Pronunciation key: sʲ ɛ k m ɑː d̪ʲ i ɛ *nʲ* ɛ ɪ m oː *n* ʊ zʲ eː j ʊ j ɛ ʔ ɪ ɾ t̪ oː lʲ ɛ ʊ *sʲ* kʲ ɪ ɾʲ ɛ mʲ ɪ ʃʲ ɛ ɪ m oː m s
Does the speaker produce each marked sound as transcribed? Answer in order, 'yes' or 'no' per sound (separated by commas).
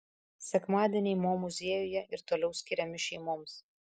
yes, no, yes